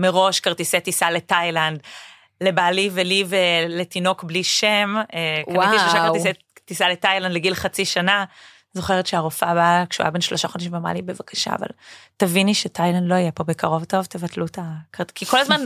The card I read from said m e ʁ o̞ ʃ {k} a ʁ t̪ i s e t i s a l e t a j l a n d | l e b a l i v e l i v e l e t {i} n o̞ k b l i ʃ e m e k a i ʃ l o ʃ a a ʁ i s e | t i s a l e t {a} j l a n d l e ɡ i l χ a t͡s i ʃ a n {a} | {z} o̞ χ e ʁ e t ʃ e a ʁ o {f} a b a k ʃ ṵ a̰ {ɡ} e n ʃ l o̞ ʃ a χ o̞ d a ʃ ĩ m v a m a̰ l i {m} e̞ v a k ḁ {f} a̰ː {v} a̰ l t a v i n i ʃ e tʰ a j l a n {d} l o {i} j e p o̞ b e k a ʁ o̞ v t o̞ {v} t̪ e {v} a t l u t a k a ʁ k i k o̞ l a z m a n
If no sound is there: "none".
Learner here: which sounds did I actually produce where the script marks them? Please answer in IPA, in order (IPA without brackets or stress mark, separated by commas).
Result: k, i, a, a, z, f, b, b, ʃ, v, d, i, v, v